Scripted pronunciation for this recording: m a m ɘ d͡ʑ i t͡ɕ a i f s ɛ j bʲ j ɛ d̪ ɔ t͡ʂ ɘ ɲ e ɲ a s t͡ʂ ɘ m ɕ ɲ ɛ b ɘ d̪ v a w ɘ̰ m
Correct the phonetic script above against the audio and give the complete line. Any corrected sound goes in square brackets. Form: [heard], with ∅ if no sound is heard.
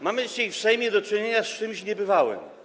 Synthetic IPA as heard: m a m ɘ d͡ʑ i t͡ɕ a [j] f s ɛ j [mʲ] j ɛ d̪ ɔ t͡ʂ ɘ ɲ e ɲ a s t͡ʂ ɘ m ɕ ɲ ɛ b ɘ [∅] v a w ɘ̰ m